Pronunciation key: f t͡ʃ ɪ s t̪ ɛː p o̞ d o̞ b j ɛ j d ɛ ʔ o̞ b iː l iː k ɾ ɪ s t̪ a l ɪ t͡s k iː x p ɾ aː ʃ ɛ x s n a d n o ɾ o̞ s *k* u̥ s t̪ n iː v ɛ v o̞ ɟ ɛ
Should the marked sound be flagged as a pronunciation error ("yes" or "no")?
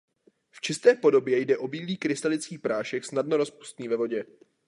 yes